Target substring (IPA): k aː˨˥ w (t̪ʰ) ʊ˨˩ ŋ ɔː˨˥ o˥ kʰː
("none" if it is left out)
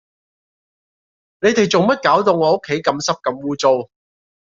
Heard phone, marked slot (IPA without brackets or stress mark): t̪